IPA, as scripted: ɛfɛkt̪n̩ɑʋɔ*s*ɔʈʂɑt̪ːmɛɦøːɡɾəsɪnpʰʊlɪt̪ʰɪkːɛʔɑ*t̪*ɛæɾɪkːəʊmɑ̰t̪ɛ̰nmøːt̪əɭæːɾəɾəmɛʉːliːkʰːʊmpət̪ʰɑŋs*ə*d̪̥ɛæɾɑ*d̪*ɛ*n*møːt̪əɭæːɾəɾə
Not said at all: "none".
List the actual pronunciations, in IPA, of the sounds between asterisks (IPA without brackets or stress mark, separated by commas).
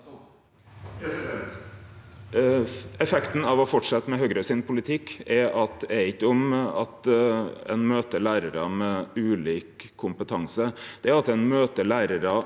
f, t̪, ə, t̪, n